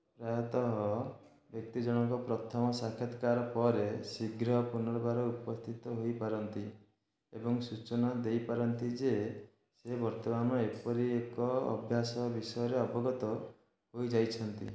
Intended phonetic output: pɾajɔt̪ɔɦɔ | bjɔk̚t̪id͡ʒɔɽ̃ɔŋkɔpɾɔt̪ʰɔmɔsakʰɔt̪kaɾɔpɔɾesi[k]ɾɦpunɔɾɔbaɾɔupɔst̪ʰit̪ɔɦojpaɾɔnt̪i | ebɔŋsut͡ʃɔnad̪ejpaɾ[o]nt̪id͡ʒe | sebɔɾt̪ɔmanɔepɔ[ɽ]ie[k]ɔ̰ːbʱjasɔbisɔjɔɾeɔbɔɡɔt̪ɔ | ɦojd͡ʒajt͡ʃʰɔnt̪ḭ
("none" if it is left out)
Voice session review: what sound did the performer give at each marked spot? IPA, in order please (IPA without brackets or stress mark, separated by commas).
ɡ, ɔ, ɾ, k